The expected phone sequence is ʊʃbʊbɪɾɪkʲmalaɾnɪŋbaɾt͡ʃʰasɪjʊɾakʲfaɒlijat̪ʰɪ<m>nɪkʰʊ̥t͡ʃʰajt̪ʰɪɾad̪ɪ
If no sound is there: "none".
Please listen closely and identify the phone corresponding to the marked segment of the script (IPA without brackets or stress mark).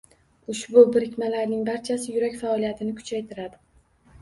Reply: none